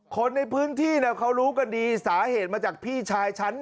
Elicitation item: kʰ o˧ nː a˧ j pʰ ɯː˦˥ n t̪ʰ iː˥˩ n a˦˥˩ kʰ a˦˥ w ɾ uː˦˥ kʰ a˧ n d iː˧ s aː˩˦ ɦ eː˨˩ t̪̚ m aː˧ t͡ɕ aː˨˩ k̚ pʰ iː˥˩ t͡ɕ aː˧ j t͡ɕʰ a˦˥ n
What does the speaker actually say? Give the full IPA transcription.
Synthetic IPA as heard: kʰ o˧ nː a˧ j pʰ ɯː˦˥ n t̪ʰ iː˥˩ n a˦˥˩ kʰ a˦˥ w ɾ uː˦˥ k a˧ n d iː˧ s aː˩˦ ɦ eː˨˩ t̪̚ m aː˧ t͡ɕ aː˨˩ k̚ pʰ iː˥˩ t͡ɕʰ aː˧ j t͡ɕʰ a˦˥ n

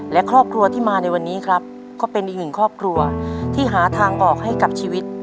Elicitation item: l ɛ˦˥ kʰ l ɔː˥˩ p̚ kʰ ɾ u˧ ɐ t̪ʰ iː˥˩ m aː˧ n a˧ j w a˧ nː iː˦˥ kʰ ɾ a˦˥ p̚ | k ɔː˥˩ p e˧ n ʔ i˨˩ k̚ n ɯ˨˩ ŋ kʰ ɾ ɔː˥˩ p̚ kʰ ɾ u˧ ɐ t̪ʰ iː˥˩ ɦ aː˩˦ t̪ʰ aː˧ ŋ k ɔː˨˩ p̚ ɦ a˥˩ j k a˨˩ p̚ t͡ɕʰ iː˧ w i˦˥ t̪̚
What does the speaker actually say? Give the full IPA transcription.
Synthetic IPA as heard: l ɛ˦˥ kʰ ɾ ɔː˥˩ p̚ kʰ ɾ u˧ ɐ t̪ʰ iː˥˩ m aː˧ n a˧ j w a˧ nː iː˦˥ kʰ ɾ a˦˥ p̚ | k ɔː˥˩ p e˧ n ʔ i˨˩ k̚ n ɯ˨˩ ŋ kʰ ɾ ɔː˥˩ p̚ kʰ ɾ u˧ ɐ t̪ʰ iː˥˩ ɦ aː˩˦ t̪ʰ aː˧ ŋ ʔ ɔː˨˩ k̚ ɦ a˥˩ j k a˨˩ p̚ t͡ɕʰ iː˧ w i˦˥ t̪̚

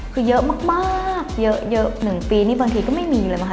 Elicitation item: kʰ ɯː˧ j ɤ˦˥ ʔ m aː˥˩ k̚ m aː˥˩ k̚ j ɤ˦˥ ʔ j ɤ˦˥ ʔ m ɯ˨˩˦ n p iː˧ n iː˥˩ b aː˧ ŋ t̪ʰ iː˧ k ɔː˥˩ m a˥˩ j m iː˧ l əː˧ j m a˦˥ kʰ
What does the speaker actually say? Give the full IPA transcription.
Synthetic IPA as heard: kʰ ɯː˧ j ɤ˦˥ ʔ m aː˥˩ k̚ m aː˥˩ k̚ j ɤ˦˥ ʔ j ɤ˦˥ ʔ n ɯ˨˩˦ ŋ p iː˧ n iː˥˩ b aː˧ ŋ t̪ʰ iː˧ k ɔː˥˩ m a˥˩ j m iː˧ l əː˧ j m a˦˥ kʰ

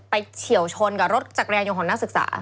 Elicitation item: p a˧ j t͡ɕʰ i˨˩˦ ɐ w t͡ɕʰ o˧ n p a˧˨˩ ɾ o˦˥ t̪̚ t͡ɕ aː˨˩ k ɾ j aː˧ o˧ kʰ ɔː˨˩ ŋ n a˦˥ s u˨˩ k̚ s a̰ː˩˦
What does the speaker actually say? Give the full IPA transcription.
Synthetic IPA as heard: p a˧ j t͡ɕʰ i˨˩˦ ə w t͡ɕʰ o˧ n k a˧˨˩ ɾ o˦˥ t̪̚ t͡ɕ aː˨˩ k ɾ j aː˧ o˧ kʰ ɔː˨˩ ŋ n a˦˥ s ɯ˨˩ k̚ s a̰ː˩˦

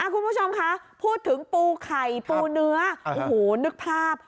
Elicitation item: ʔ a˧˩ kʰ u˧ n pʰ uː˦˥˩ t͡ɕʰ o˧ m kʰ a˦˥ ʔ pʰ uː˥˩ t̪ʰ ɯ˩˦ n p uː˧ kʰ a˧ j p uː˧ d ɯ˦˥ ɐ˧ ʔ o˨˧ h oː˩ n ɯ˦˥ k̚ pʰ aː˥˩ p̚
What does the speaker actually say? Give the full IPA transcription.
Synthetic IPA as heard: ʔ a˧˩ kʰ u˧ n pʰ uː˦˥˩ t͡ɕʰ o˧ m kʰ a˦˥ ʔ pʰ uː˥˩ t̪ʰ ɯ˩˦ ŋ p uː˧ kʰ a˨˩ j p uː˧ n ɯ˦˥ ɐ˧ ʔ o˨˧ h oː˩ n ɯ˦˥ k̚ pʰ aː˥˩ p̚

